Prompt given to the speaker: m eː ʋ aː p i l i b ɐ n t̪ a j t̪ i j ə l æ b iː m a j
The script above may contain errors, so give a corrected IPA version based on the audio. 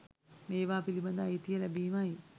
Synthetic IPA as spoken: m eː ʋ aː p i l i b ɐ n d̪ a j t̪ i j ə l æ b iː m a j